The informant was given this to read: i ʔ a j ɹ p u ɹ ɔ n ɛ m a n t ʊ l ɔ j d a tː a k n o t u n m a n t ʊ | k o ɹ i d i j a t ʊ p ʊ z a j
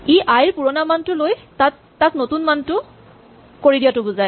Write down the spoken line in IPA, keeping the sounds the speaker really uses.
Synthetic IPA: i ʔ a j ɹ p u ɹ ɔ n a m a n t ʊ l o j t a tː a k n o t u n m a n t ʊ | k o ɹ i d i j a t ʊ b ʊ z a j